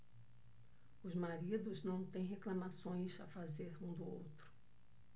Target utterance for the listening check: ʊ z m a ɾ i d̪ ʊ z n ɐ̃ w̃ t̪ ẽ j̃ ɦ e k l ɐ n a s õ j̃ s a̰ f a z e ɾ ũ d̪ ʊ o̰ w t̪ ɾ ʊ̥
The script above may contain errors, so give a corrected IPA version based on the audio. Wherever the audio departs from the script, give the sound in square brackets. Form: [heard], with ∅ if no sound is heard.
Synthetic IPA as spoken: ʊ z m a ɾ i d̪ ʊ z n ɐ̃ w̃ t̪ ẽ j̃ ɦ e k l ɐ [m] a s õ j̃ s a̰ f a z e ɾ ũ d̪ ʊ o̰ w t̪ ɾ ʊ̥